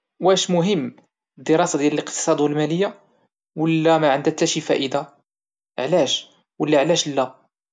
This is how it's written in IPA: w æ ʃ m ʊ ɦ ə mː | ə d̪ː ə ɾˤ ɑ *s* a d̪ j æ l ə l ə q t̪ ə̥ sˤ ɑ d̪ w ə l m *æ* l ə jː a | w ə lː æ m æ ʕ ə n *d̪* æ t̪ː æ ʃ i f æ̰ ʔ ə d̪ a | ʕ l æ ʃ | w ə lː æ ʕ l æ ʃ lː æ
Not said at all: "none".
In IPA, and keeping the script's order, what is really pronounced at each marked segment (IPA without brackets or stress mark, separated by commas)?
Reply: s, æ, d̪